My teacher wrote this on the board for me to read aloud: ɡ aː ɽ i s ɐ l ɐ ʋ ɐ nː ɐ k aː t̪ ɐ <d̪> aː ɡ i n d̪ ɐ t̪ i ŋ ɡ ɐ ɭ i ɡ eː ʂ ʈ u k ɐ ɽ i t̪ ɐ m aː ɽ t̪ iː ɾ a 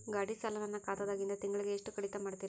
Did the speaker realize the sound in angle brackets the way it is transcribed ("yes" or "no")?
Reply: yes